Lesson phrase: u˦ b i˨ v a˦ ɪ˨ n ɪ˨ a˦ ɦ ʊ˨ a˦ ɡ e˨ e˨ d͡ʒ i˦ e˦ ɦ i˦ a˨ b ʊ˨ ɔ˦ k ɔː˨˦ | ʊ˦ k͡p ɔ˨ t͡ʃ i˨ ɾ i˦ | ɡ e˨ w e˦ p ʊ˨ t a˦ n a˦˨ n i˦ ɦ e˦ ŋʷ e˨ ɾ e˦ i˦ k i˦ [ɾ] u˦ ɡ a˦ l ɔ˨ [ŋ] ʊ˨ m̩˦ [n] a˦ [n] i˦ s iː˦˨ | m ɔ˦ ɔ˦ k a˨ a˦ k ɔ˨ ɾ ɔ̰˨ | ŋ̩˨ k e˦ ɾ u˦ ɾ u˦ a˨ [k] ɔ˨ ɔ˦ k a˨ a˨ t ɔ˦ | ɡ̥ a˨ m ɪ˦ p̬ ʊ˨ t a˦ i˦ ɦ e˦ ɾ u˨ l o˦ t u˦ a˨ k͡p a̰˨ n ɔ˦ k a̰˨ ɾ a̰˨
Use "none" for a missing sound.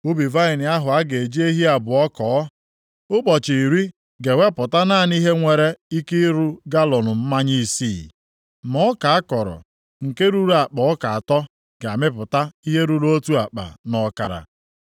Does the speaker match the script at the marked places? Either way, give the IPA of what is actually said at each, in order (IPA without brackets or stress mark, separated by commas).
ɾ, n, m, ɲ, k͡p